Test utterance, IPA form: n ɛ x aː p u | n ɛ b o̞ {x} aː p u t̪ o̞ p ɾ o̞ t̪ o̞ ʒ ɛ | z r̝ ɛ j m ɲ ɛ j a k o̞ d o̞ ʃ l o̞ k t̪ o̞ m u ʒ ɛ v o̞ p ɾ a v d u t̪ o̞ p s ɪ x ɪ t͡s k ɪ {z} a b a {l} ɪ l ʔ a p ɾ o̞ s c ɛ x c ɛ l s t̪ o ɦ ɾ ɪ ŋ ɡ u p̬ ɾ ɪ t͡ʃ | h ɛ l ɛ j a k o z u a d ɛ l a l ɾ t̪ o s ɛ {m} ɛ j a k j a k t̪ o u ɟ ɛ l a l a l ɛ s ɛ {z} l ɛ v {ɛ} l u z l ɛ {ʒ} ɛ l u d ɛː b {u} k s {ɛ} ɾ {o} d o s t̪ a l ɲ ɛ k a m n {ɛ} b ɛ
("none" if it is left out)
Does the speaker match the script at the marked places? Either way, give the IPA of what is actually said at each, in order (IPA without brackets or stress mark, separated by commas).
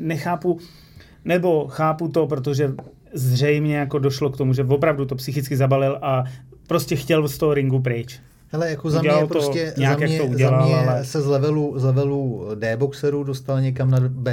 x, z, l, ɲ, z, ɛ, v, o, ɛ, u, a